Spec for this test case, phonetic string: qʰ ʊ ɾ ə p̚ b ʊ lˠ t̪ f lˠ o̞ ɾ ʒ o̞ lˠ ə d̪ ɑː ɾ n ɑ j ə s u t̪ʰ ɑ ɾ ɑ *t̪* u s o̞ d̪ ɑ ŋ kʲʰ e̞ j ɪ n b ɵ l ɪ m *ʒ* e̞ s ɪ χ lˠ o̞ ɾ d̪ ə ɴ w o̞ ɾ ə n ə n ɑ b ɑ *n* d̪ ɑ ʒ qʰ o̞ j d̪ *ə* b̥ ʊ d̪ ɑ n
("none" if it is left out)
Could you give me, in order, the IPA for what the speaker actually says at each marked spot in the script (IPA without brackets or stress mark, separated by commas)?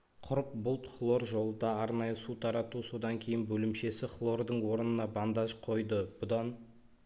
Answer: t̪, ʃ, n, ə